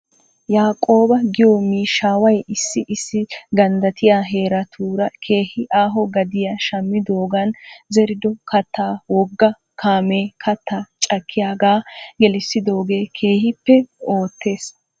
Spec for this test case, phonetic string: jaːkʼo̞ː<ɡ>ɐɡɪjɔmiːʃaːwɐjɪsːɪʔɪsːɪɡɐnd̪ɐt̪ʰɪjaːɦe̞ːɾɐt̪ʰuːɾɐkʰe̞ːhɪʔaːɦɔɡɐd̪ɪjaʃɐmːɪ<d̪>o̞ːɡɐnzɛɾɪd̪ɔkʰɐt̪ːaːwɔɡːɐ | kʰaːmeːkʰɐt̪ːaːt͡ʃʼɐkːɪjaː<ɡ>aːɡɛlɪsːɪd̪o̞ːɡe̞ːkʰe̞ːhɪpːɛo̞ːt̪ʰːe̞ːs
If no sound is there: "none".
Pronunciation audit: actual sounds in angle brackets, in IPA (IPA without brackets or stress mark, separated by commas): b, d̪, ɡ